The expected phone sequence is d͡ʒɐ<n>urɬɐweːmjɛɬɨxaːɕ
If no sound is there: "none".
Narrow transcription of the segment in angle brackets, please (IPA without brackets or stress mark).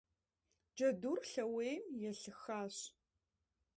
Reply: d